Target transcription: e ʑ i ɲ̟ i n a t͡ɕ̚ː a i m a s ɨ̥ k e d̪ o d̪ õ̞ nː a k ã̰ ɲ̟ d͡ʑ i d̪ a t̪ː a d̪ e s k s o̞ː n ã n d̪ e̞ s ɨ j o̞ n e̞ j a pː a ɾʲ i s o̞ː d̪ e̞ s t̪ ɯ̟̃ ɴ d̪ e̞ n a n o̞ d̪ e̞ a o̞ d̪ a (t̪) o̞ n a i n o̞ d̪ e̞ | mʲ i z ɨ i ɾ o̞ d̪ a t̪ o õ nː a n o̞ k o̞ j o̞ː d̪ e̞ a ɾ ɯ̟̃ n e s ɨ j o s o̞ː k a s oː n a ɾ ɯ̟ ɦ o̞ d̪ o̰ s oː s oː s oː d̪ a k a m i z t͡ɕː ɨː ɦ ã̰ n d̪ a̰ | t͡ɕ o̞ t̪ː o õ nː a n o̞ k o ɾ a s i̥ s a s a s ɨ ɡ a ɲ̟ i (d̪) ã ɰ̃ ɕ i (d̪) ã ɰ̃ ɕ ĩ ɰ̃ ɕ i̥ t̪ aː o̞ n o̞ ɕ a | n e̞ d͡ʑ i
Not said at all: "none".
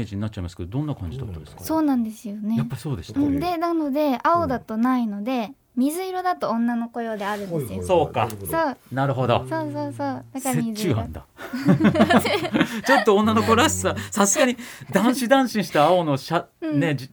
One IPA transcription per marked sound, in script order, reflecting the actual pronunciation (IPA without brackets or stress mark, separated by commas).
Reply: t̪, d̪, d̪